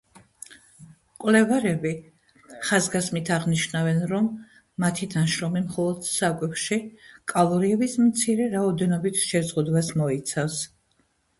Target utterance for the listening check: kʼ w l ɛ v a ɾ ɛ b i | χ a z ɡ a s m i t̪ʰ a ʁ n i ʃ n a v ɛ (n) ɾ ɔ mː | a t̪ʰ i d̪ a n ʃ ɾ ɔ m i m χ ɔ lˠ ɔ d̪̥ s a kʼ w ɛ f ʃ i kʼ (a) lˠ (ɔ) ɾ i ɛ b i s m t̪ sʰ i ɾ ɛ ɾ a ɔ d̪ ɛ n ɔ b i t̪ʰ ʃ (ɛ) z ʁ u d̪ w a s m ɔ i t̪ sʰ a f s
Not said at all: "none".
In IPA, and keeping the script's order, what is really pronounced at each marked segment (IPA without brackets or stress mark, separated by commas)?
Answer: n, a, ɔ, ɛ